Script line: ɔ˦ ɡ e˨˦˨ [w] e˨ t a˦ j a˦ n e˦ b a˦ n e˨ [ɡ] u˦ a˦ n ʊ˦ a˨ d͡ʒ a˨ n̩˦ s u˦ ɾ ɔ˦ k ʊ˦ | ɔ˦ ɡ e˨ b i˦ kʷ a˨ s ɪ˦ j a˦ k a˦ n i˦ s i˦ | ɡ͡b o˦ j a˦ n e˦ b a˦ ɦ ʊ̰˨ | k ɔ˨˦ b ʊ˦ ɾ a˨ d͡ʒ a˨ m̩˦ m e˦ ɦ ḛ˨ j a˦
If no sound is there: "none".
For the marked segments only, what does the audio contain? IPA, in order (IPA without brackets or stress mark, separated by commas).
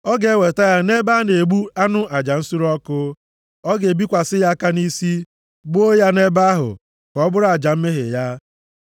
w, ɡ͡b